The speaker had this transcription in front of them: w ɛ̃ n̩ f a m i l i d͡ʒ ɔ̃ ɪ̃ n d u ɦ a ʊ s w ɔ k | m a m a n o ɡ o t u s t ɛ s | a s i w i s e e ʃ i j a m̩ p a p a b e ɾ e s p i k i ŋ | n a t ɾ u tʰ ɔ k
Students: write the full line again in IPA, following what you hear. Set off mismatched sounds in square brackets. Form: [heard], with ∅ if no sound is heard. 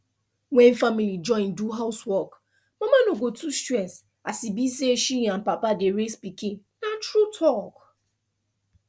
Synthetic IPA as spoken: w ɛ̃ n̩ f a m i l i d͡ʒ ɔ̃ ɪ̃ n d u ɦ a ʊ s w ɔ k | m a m a n o ɡ o t u s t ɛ s | a s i [b] i s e e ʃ i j a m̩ p a p a [d] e ɾ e s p i k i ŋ | n a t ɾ u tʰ ɔ k